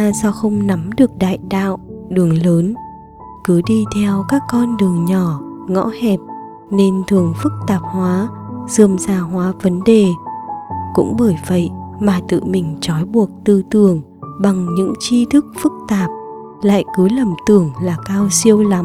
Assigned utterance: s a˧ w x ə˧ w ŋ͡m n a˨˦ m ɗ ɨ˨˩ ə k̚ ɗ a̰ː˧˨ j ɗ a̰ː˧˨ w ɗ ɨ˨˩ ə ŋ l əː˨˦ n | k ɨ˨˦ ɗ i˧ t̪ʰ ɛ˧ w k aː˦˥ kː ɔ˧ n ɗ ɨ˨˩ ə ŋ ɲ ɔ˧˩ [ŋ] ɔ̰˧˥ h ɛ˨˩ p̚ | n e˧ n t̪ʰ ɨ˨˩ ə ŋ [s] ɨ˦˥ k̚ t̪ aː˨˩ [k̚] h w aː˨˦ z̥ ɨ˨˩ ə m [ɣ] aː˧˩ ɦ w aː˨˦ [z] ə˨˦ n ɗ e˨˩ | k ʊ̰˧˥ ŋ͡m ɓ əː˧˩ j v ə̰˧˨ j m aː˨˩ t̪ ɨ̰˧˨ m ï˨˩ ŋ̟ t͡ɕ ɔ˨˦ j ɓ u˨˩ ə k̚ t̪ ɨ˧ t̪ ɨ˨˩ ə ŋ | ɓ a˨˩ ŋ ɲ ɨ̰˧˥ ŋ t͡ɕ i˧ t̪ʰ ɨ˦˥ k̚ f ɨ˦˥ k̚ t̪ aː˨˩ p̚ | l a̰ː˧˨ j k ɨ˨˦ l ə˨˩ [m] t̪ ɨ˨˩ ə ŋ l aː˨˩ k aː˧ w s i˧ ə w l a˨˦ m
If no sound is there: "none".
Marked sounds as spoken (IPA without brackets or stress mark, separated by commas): ŋ, f, p̚, z, v, m